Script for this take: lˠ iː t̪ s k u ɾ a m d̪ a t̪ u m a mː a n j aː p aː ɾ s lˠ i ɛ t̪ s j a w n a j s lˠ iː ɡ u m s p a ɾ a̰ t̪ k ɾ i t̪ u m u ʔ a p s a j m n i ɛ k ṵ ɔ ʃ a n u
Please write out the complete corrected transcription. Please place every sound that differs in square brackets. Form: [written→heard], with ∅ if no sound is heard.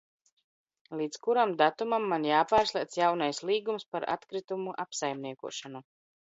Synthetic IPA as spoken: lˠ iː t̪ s k u ɾ a m d̪ a t̪ u m a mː a n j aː p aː ɾ s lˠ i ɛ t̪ s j a w n a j s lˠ iː ɡ u m s p a ɾ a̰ t̪ k ɾ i t̪ u m u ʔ a p s a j m n i ɛ k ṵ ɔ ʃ a n u